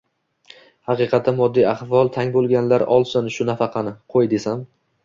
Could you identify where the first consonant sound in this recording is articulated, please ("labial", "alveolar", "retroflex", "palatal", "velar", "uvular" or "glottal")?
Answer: glottal